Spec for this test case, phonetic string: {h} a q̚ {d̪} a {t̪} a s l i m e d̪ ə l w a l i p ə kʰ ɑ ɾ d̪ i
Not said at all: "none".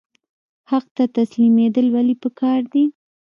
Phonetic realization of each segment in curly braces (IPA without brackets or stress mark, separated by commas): h, t̪, t̪